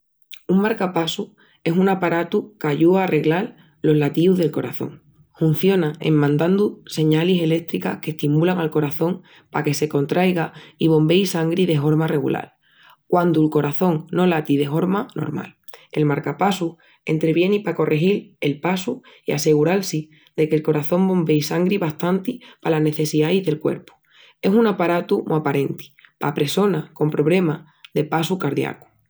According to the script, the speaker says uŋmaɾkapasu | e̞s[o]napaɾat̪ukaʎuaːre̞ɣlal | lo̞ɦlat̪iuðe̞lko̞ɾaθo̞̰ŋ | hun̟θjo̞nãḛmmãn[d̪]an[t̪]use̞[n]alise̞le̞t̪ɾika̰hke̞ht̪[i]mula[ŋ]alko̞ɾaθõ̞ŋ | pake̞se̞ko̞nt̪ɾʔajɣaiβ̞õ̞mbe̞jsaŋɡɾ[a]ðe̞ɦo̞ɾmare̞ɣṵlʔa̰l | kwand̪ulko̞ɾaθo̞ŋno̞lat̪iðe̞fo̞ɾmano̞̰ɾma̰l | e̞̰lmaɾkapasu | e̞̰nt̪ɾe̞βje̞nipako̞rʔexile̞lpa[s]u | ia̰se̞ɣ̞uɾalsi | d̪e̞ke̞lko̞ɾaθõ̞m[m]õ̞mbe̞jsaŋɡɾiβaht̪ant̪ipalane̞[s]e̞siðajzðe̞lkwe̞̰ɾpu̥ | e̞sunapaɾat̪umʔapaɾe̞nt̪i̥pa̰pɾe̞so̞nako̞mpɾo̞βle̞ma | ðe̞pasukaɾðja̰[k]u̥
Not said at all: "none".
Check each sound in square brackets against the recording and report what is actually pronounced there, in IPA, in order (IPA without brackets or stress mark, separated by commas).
u, d̪, d̪, ɲ, i, ŋ, i, s, b, θ, k